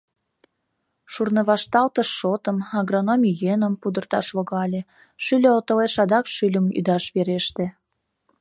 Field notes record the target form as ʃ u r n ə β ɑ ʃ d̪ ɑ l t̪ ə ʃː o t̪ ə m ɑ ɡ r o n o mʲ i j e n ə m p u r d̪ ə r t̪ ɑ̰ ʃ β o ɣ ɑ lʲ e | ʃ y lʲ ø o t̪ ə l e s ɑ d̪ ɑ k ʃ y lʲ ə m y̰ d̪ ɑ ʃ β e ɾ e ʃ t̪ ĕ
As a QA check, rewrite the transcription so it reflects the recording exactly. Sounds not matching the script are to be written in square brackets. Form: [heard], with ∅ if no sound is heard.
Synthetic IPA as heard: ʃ u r n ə β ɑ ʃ [t̪] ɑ l t̪ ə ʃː o t̪ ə m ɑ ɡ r o n o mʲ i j e n ə m p u [∅] d̪ ə r t̪ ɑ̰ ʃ β o ɣ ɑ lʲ e | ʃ y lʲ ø o t̪ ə l e [ʃ] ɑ d̪ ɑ k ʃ y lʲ ə m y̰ d̪ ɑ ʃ β e ɾ e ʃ t̪ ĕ